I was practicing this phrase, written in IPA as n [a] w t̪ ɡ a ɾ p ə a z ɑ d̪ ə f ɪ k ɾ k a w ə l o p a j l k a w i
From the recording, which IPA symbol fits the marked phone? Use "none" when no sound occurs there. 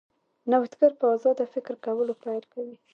a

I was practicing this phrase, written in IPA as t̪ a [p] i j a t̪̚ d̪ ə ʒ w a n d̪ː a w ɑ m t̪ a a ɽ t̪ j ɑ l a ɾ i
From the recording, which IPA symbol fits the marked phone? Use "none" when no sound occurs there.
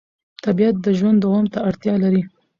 b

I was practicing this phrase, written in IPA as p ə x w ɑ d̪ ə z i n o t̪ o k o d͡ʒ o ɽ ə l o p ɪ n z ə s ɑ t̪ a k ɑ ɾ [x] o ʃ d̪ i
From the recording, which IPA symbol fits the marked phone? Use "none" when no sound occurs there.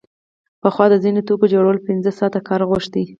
ɣ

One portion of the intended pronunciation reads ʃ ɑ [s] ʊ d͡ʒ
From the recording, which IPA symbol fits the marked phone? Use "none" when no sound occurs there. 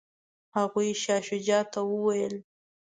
ʃ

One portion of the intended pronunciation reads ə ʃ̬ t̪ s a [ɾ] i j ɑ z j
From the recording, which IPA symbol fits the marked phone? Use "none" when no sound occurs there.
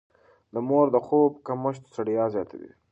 ɽ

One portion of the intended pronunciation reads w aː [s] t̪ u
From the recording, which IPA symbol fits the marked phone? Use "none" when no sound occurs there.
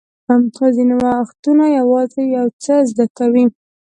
x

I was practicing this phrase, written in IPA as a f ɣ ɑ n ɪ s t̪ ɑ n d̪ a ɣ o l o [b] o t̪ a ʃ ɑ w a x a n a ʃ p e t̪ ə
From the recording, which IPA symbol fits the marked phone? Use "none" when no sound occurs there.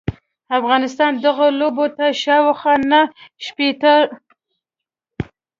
b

